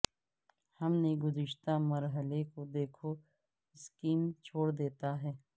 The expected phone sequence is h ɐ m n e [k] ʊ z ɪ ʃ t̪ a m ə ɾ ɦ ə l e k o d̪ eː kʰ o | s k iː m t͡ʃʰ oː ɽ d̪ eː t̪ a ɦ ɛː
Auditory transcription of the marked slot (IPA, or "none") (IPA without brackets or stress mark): ɡ